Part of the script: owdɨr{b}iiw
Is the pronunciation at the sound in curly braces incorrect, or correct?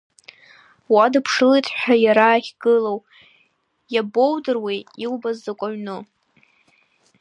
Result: incorrect